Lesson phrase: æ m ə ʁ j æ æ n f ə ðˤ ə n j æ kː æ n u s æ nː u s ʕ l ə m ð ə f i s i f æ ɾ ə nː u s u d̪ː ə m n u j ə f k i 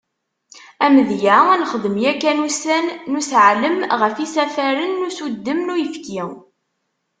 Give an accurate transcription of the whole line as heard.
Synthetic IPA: æ m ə ð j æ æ n χ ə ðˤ ə m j æ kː æ n u s æ nː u s ʕ l ə m ʁ ə f i s æ f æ ɾ ə nː u s u d̪ː ə m n u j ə f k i